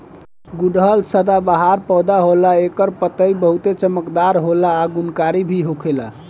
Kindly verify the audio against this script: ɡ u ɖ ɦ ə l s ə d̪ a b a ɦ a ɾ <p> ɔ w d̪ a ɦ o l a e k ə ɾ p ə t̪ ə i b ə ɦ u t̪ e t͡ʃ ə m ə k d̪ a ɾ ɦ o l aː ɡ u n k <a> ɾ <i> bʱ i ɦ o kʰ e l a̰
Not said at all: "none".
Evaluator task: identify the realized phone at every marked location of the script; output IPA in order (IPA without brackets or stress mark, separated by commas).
p, a, i